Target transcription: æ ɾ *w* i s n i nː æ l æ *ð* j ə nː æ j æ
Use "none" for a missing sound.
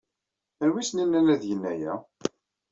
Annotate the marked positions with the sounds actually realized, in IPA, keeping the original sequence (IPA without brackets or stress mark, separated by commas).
w, ð